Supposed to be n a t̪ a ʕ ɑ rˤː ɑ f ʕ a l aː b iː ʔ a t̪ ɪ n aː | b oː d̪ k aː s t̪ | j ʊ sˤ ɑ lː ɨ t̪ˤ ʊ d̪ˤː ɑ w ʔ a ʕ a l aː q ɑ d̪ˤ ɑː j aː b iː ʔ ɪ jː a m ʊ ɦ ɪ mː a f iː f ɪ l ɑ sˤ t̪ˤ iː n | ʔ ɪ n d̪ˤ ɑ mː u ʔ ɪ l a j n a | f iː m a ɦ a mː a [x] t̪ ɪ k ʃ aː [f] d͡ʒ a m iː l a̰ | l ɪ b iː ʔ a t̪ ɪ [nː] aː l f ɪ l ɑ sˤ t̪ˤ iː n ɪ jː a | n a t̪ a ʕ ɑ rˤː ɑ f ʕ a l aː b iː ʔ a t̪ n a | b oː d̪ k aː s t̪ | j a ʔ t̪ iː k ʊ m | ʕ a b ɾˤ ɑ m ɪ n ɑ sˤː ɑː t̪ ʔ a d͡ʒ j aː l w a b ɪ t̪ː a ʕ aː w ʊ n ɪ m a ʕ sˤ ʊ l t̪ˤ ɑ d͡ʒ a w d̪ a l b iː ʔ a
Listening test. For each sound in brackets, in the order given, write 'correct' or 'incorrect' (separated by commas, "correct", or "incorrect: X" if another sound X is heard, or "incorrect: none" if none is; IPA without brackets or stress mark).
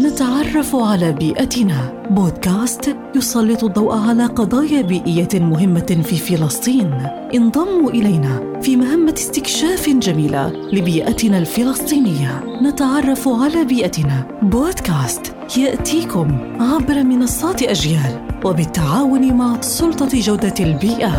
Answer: incorrect: s, correct, incorrect: n